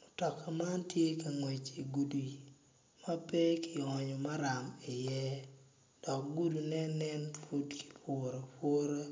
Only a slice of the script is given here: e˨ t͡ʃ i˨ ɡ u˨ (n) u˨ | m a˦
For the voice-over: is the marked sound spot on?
no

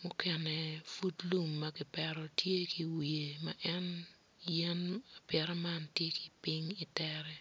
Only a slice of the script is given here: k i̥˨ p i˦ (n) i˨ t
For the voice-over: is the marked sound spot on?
no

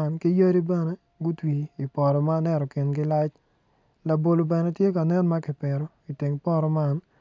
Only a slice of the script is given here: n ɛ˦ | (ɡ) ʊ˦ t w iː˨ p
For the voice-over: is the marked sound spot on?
yes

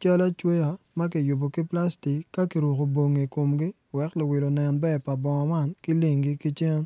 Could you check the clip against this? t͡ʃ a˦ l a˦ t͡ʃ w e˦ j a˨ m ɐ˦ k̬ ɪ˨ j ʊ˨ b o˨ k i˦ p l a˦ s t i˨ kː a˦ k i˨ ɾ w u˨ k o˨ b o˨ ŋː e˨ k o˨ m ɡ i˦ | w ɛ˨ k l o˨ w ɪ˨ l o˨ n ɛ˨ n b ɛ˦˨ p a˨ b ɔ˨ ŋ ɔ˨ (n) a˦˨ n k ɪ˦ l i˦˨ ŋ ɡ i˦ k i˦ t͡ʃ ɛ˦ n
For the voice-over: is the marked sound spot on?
no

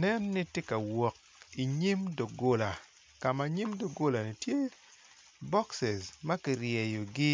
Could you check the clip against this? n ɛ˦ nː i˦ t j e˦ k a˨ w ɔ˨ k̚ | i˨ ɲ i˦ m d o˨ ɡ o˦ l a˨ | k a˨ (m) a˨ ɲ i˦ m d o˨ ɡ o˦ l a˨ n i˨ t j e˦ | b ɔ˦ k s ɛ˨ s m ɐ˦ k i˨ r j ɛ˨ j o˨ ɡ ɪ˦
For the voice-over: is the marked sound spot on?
yes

